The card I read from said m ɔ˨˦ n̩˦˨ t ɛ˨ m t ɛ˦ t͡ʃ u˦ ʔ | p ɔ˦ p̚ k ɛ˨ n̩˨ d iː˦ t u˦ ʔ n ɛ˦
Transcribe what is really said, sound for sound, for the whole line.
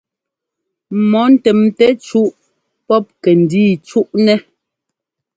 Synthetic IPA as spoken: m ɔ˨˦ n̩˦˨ t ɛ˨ m t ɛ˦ t͡ʃ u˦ ʔ | p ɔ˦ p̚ k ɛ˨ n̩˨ d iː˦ t͡ʃ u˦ ʔ n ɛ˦